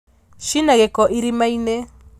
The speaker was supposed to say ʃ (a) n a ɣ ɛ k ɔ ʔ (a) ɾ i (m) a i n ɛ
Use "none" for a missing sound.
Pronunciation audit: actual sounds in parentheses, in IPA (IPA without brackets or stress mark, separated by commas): i, i, m